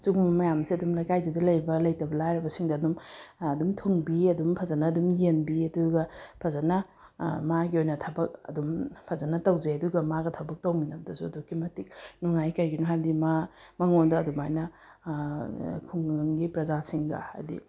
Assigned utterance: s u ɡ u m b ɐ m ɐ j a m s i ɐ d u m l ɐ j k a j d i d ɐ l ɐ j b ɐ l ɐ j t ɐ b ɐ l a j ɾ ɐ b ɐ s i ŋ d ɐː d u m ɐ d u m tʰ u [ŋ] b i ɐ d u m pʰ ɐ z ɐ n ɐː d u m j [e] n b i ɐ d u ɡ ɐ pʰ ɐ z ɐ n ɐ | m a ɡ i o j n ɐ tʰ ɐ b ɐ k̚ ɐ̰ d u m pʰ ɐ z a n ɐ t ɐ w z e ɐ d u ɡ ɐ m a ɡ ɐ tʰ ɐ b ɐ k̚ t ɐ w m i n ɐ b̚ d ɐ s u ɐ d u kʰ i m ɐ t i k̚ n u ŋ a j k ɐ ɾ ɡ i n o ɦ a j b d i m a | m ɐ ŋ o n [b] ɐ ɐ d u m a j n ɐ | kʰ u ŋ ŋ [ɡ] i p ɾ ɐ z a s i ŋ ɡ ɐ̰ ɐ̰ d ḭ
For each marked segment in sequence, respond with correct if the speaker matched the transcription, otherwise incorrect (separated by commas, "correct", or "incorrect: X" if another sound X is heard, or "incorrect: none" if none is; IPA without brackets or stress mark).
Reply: correct, correct, incorrect: d, correct